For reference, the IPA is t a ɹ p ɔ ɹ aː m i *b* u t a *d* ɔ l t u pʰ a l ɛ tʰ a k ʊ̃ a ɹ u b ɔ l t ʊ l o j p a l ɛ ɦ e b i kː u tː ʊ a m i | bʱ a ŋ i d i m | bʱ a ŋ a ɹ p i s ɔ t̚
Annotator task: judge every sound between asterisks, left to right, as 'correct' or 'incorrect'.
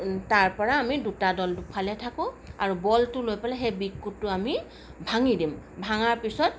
incorrect: d, correct

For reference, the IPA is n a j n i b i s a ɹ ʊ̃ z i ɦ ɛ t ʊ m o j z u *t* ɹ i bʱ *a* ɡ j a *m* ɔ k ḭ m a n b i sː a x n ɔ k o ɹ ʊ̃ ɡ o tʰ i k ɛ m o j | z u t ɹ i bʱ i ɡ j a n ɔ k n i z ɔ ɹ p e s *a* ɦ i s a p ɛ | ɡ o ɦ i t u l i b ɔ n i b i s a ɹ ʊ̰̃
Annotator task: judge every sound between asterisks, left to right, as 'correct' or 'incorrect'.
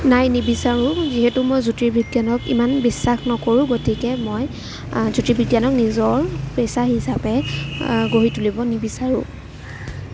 correct, incorrect: i, incorrect: n, correct

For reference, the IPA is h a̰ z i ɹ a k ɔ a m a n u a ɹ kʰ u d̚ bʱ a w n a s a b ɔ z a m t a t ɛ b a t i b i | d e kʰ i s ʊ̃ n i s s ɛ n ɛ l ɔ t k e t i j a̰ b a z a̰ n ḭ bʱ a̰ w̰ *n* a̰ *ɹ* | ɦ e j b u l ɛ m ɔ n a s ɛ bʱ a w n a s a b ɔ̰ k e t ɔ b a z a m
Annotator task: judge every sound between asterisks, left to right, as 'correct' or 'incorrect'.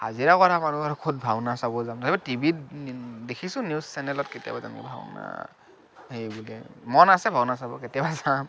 correct, incorrect: none

